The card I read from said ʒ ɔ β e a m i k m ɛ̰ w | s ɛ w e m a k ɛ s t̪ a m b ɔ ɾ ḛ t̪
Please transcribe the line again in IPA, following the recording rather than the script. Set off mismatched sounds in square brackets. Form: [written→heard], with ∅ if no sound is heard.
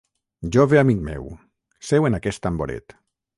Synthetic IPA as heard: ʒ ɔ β e a m i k m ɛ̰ w | s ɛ w e [m→n] a k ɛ s t̪ a m b [ɔ→o] ɾ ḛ t̪